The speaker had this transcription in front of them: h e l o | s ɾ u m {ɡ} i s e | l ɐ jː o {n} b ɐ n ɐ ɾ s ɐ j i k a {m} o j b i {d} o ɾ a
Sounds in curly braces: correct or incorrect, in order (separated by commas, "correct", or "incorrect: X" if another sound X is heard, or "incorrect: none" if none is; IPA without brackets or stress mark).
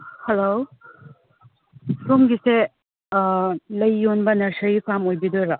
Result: correct, correct, correct, correct